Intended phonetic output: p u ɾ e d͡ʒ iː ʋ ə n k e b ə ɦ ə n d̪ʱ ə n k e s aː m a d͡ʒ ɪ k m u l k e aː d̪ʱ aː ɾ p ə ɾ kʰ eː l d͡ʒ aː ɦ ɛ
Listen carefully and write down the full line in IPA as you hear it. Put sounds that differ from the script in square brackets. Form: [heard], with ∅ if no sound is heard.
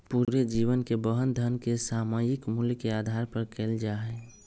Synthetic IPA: p u ɾ e d͡ʒ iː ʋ ə n k e b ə ɦ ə n d̪ʱ ə n k e s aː m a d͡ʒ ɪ k m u l k e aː d̪ʱ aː ɾ p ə ɾ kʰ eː l d͡ʒ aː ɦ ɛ